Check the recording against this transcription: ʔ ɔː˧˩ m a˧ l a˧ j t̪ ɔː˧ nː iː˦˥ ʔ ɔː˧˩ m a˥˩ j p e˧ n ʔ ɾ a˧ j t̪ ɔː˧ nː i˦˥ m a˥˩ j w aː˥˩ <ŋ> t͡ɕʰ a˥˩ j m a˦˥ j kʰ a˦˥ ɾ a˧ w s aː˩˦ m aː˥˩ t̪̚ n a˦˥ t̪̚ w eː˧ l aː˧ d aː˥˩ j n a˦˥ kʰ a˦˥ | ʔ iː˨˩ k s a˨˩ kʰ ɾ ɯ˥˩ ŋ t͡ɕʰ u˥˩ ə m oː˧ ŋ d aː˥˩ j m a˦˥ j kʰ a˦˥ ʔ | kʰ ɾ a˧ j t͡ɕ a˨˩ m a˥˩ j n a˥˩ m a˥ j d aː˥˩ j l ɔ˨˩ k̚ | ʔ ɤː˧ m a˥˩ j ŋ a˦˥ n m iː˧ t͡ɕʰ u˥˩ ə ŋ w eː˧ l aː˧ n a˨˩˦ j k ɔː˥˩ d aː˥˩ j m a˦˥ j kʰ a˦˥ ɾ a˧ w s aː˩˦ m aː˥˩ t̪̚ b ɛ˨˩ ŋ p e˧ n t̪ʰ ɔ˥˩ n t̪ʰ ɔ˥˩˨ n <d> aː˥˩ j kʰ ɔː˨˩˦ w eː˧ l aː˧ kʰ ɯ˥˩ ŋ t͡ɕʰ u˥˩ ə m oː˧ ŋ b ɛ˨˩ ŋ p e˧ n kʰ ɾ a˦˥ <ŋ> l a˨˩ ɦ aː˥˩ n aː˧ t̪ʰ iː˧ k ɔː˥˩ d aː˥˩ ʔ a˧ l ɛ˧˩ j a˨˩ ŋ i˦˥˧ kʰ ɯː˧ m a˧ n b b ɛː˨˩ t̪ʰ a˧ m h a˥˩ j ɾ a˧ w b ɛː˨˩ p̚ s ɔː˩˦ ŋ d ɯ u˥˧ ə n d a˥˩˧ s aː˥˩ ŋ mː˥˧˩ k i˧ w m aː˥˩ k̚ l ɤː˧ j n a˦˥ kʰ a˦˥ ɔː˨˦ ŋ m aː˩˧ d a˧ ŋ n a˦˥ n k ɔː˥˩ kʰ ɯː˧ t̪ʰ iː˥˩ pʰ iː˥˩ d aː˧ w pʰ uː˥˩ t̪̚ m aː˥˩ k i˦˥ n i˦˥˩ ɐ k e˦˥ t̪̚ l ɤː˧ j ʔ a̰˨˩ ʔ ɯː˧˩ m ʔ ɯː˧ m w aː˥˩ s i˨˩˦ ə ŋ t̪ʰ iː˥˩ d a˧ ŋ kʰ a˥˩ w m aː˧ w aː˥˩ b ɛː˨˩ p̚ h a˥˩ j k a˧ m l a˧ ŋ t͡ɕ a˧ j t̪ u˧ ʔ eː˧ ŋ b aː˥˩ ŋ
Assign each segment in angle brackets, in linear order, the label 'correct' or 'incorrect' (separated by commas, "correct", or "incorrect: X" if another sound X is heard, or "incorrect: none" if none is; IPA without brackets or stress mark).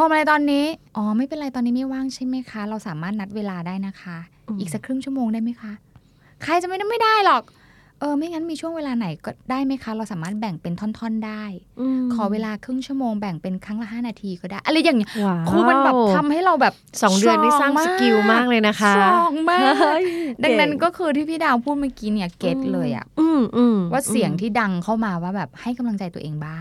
correct, correct, correct